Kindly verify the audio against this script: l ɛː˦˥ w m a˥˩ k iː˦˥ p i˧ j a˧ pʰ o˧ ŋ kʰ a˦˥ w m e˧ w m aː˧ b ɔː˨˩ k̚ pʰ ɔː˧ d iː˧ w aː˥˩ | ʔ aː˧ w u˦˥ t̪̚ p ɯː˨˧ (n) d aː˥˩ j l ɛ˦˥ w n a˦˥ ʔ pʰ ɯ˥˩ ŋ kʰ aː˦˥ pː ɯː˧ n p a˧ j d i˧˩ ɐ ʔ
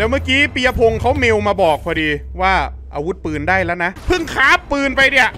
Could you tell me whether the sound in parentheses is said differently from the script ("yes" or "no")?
no